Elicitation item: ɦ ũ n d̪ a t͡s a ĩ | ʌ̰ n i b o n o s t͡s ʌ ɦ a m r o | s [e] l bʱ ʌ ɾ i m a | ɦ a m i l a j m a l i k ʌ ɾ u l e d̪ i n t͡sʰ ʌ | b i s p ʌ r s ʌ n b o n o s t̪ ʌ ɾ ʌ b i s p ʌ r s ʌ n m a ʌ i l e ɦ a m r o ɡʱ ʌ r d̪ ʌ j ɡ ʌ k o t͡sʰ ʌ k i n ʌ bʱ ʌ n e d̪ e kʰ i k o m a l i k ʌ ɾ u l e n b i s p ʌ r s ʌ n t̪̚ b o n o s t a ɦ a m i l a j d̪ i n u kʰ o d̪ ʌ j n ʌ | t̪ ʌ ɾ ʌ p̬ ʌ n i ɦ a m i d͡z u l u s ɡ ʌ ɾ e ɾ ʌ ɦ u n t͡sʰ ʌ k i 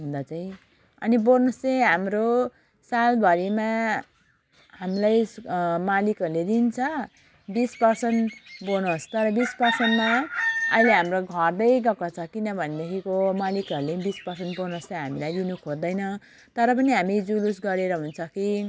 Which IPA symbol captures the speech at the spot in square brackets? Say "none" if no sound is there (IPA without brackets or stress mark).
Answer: a